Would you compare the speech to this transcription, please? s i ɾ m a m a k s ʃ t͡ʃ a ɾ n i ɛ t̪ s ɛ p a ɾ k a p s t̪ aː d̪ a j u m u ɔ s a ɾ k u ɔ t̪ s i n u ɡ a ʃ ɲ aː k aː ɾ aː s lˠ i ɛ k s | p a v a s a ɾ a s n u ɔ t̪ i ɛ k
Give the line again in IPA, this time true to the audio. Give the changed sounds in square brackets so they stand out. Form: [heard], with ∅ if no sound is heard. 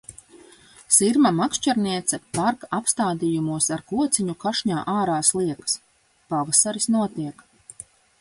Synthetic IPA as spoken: s i ɾ m a m a k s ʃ t͡ʃ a ɾ n i ɛ t̪ s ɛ p a ɾ k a p s t̪ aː d̪ [i] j u m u ɔ s a ɾ k u ɔ t̪ s i [ɲ] u [k] a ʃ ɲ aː [ʔ] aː ɾ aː s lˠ i ɛ k s | p a v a s a ɾ [i] s n u ɔ t̪ i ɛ k